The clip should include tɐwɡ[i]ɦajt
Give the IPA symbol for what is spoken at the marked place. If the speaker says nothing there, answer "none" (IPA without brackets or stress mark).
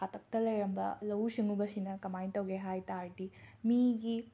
e